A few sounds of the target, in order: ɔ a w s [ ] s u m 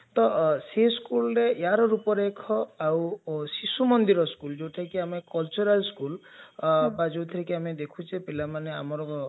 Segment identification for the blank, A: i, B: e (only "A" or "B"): A